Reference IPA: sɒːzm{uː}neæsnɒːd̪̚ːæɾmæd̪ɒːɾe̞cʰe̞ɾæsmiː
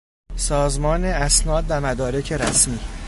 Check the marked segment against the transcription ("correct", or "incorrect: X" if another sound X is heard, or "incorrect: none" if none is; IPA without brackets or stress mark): incorrect: ɒː